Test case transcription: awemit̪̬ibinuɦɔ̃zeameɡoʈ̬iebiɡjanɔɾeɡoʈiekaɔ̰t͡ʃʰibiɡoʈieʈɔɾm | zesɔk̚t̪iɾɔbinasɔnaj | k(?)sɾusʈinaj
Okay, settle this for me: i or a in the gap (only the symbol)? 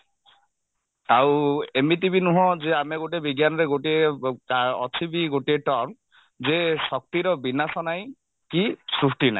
i